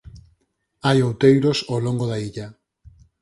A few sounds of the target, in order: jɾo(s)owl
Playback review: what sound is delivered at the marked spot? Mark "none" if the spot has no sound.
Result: s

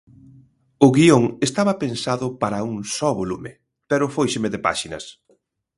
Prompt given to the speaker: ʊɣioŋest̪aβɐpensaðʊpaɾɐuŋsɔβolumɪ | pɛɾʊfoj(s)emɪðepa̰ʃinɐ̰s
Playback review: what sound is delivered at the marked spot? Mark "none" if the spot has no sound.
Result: ʃ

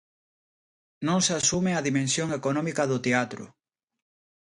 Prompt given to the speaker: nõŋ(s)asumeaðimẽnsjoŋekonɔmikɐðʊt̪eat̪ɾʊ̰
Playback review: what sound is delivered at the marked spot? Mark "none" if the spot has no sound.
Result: s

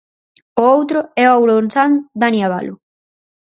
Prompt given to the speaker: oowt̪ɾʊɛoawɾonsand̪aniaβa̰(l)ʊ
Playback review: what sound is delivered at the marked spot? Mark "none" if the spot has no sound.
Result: l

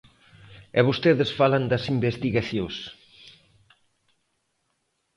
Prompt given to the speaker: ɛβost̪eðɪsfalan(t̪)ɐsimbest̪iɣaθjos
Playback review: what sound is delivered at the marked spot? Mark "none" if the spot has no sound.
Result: d̪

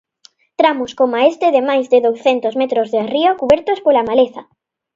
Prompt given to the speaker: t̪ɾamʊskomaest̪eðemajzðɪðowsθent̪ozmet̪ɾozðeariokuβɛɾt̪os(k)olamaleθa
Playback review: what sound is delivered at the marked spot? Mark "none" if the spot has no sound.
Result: p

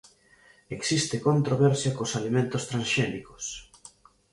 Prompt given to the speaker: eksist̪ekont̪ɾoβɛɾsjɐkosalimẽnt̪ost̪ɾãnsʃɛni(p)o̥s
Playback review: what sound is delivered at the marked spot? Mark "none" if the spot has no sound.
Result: k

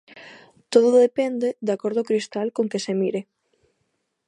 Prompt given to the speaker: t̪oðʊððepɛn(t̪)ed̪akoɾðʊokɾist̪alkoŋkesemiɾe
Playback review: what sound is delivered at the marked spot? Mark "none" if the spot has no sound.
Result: d̪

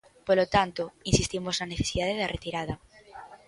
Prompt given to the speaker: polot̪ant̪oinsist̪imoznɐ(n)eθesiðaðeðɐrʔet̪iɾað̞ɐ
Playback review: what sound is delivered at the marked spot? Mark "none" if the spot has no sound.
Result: n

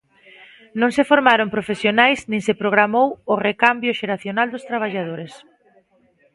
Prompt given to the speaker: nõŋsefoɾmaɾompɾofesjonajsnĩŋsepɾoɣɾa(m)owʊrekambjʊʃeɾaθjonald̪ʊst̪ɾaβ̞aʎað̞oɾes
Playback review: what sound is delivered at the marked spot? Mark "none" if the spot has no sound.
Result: m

